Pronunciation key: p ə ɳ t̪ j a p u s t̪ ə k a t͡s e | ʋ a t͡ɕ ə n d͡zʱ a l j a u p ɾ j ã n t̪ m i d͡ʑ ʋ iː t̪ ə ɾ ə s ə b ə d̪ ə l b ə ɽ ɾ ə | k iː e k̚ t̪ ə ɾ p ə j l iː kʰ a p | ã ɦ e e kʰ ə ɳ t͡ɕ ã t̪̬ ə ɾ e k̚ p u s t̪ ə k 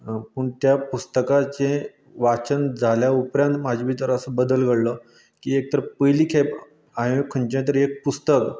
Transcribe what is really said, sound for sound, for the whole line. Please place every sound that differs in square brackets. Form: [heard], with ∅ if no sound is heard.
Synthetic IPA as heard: p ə ɳ t̪ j a p u s t̪ ə k a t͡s e | ʋ a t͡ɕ ə n d͡zʱ a l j a u p ɾ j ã n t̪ m [a] d͡ʑ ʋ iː t̪ ə ɾ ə s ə b ə d̪ ə l [ɡ] ə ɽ [l] ə | k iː e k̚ t̪ ə ɾ p ə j l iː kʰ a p | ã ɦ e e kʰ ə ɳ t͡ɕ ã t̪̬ ə ɾ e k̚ p u s t̪ ə k